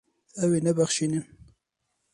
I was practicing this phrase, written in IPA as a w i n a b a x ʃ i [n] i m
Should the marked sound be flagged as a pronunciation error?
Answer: no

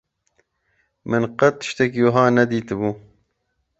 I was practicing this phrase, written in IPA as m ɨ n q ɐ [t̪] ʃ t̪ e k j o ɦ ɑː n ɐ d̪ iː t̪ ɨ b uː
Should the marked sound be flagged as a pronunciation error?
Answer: no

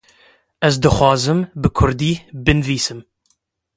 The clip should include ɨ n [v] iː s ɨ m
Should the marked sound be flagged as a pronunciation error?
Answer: no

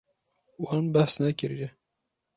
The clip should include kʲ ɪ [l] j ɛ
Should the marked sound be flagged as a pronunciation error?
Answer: yes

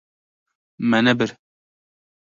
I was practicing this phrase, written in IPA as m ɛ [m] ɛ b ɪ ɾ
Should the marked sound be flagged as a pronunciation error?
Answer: yes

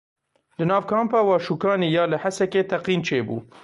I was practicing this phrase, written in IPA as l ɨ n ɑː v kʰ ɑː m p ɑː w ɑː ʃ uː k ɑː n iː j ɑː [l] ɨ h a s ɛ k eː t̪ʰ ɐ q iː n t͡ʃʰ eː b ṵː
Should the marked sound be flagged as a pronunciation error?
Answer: no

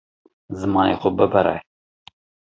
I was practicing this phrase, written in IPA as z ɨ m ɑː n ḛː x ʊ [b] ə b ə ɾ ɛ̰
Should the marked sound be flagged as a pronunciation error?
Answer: no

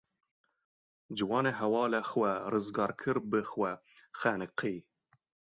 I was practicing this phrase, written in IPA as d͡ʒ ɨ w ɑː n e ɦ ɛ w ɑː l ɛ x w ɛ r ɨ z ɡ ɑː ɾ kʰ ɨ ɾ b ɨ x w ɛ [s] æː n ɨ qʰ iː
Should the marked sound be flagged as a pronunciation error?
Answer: yes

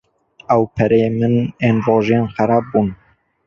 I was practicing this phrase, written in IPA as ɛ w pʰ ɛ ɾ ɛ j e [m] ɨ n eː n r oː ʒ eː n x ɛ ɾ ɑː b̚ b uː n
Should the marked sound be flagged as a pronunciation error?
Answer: no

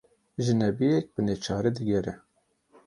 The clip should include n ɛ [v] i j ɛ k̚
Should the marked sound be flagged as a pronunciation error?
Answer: yes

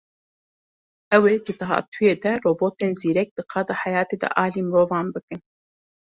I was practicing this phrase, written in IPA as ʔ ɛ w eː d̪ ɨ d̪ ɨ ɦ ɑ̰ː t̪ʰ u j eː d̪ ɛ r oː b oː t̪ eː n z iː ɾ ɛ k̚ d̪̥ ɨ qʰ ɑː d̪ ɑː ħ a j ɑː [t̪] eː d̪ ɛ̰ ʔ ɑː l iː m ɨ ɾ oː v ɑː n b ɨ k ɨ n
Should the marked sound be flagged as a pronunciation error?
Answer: no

